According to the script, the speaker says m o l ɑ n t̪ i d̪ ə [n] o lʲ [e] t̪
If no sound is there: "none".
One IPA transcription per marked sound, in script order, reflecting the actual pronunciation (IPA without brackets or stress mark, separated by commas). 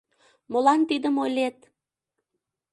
m, e